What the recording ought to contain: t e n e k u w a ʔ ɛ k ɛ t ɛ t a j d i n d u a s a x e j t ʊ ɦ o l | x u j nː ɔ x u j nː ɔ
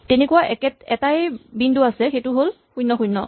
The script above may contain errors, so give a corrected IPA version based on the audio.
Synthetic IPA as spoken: t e n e k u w a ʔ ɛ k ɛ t ɛ t a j b i n d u a s ɛ x e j t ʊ ɦ o l | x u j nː ɔ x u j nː ɔ

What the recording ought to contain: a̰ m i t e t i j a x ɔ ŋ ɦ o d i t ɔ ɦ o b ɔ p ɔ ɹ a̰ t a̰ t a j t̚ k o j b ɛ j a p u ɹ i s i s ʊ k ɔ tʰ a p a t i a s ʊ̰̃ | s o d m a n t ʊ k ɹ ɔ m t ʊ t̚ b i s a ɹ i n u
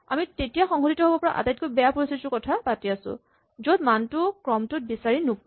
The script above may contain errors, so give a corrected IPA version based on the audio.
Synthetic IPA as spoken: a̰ m i t e t i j a x ɔ ŋ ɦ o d i t ɔ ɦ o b ɔ p ɔ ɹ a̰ ʔ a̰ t a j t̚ k o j b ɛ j a p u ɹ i s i s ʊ k ɔ tʰ a p a t i a s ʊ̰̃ | z o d m a n t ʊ k ɹ ɔ m t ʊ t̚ b i s a ɹ i n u

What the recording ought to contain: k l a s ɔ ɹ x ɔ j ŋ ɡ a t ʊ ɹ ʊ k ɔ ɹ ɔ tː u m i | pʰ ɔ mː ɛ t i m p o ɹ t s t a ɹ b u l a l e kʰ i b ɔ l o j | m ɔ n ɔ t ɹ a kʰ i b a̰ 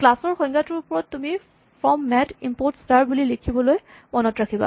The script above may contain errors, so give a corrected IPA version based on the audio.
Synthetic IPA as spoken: k l a s ɔ ɹ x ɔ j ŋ ɡ a t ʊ ɹ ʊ p ɔ ɹ ɔ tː u m i | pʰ ɔ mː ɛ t i m p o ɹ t s t a ɹ b u l i l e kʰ i b ɔ l o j | m ɔ n ɔ t ɹ a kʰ i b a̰

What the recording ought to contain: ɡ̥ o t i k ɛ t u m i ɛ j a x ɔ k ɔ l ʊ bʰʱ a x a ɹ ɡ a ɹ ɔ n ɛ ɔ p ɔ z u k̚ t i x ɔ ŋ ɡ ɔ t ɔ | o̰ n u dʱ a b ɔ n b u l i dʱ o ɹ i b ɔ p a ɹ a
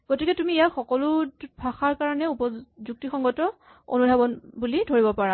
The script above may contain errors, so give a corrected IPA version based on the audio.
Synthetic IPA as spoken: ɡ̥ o t i k ɛ t u m i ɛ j a x ɔ k ɔ l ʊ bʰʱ a x a ɹ k a ɹ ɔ n ɛ u p ɔ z u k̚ t i x ɔ ŋ ɡ ɔ t ɔ | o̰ n u dʱ a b ɔ n b u l i dʱ o ɹ i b ɔ p a ɹ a

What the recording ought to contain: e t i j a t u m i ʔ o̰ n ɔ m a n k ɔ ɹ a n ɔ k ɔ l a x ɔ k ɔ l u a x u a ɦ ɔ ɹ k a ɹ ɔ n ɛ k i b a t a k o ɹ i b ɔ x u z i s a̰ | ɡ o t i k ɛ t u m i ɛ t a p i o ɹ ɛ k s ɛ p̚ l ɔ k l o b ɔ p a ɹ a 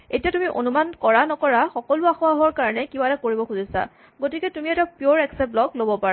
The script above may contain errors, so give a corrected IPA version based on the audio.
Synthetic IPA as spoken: e t i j a t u m i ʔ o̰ n u m a n k ɔ ɹ a n ɔ k ɔ ɹ a x ɔ k ɔ l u a x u a ɦ ɔ ɹ k a ɹ ɔ n ɛ k i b a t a k o ɹ i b ɔ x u z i s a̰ | ɡ o t i k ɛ t u m i ɛ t a p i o ɹ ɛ k s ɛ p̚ l ɔ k l o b ɔ p a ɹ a

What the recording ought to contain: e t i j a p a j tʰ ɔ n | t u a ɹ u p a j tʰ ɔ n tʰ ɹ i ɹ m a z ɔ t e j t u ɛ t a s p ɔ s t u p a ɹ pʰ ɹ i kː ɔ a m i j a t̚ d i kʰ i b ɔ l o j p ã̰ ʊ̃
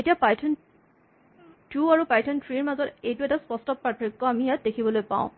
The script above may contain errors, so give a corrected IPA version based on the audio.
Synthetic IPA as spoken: e t i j a p a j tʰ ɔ n | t u a ɹ u p a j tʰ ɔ n tʰ ɹ i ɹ m a z ɔ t e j t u ɛ t a s p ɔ s t ɔ p a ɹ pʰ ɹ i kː ɔ a m i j a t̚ d e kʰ i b ɔ l o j p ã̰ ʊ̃

